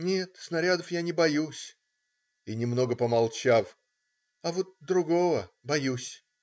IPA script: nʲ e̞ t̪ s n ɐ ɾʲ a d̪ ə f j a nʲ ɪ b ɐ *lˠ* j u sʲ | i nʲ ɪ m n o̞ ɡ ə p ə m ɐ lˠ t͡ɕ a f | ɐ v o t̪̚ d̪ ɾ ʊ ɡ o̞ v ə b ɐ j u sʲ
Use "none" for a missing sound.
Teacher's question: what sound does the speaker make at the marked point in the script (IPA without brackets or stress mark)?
none